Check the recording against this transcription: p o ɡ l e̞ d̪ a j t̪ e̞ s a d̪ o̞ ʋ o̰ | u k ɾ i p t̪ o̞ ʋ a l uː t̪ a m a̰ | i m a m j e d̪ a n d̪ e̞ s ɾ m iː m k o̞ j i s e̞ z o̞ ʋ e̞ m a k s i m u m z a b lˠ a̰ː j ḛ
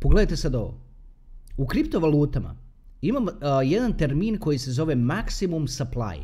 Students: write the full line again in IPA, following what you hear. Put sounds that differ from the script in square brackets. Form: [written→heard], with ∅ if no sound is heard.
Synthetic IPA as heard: p o ɡ l e̞ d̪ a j t̪ e̞ s a d̪ o̞ ʋ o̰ | u k ɾ i p t̪ o̞ ʋ a l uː t̪ a m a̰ | i m a m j e d̪ a n [d̪→t̪] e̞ [s→∅] ɾ m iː [m→n] k o̞ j i s e̞ z o̞ ʋ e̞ m a k s i m u m [z→s] a [b→p] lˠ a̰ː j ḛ